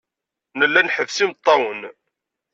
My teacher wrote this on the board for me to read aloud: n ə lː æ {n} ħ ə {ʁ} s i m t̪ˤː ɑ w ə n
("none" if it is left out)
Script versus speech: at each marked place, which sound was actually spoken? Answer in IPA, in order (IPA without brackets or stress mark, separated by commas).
n, v